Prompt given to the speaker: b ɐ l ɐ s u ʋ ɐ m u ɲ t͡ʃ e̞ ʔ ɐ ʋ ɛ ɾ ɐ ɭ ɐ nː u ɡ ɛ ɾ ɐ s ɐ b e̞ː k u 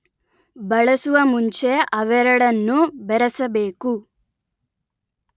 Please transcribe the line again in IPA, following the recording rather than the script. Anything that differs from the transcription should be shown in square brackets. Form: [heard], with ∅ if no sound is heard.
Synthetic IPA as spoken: b ɐ [ɭ] ɐ s u ʋ ɐ m u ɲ t͡ʃ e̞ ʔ ɐ ʋ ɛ ɾ ɐ [ɽ] ɐ nː u [b] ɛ ɾ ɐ s ɐ b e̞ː k u